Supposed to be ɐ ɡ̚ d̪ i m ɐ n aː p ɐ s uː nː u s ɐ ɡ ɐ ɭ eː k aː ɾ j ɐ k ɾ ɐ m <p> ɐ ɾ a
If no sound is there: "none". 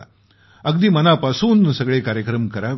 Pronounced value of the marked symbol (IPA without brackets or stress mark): k